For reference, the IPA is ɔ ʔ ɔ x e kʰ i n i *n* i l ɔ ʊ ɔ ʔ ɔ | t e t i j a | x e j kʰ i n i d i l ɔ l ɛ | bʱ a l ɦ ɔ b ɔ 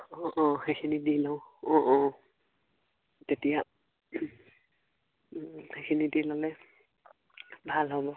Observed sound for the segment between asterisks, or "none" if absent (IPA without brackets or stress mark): d